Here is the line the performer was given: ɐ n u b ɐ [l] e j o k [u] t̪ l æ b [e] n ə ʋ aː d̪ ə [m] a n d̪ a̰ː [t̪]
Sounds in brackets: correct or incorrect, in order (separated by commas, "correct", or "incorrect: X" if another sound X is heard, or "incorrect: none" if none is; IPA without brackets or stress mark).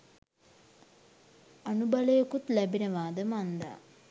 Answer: correct, correct, incorrect: i, correct, incorrect: none